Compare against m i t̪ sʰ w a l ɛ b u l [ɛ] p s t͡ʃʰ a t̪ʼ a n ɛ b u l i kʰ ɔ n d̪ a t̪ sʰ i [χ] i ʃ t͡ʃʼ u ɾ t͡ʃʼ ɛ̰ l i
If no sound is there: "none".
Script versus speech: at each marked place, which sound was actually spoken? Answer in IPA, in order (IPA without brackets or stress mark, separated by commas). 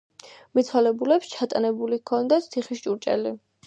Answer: ɛ, χ